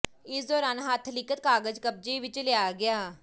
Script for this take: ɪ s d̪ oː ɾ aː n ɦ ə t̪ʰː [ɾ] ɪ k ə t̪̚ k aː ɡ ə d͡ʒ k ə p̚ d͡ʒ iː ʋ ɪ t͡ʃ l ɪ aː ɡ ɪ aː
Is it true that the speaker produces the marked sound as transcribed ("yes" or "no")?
no